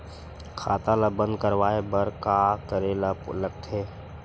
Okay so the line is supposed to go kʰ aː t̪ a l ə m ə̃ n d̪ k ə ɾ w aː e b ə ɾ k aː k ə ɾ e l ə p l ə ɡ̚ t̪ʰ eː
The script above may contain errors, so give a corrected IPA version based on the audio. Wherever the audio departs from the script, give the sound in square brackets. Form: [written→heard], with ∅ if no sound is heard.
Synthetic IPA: kʰ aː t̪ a l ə [m→b] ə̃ n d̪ k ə ɾ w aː e b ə ɾ k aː k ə ɾ e l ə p l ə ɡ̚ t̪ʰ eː